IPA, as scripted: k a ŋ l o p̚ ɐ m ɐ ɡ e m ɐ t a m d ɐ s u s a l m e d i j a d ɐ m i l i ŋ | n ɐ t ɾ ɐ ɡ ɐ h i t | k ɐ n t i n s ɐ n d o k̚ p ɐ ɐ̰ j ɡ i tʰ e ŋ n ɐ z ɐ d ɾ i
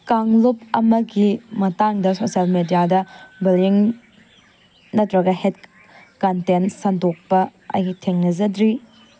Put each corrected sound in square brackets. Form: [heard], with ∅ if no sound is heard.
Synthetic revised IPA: k a ŋ l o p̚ ɐ m ɐ ɡ [i] m ɐ t a [ŋ] d ɐ s [o] s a l m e d i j a d ɐ [b] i l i ŋ | n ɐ t ɾ ɐ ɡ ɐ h [e] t | k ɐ n t [e] n s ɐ n d o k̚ p ɐ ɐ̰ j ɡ i tʰ e ŋ n ɐ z ɐ d ɾ i

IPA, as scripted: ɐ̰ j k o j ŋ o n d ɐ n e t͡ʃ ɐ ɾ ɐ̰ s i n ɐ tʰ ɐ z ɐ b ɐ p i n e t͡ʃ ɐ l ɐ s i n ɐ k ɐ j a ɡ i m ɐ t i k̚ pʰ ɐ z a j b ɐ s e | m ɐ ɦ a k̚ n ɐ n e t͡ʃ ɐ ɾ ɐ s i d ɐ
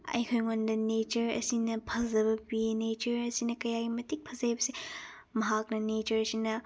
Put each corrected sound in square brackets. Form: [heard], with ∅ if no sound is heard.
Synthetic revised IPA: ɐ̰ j [kʰ] o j ŋ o n d ɐ n e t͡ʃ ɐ ɾ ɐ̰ s i n ɐ [pʰ] ɐ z ɐ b ɐ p i n e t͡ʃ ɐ [ɾ] ɐ s i n ɐ k ɐ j a ɡ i m ɐ t i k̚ pʰ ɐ z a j b ɐ s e | m ɐ ɦ a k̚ n ɐ n e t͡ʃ ɐ ɾ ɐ s i [n] ɐ

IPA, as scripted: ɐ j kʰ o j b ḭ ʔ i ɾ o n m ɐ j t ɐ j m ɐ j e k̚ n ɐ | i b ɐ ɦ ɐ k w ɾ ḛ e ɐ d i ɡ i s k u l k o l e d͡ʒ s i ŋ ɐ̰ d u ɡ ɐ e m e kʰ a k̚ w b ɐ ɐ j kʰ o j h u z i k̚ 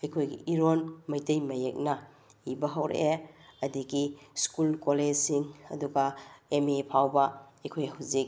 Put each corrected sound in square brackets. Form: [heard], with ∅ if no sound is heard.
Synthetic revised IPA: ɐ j kʰ o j [ɡ] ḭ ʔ i ɾ o n m ɐ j t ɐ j m ɐ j e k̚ n ɐ | i b ɐ ɦ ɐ [∅] w ɾ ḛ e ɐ d i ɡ i s k u l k o l e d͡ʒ s i ŋ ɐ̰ d u ɡ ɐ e m e [pʰ] a [∅] w b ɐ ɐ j kʰ o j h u z i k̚

